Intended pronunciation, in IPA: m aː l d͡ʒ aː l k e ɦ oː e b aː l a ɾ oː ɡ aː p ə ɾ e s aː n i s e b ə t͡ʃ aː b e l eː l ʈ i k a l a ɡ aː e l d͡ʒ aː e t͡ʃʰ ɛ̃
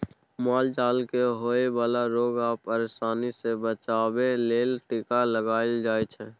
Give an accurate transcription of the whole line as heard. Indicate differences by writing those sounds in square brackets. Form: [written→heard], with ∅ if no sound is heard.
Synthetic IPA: m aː l d͡ʒ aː l k e ɦ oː e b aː l a ɾ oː ɡ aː p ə ɾ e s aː n i s e b ə t͡ʃ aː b e l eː l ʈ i k a l [a→ə] ɡ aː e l d͡ʒ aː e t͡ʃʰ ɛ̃